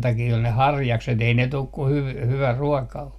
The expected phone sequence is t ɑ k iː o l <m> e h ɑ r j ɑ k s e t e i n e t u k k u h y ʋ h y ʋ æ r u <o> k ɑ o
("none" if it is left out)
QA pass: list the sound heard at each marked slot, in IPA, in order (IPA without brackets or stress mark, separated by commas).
n, ɔ